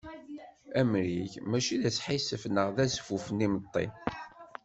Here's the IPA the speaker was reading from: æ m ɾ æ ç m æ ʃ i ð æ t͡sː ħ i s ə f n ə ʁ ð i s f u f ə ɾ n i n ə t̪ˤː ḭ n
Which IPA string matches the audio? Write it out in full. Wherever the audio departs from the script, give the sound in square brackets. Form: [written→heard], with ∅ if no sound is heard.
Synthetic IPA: æ m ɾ [æ→i] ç m æ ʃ i ð æ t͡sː ħ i s ə f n ə ʁ ð [i→æ] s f u f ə [ɾ→∅] n i [n→m] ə t̪ˤː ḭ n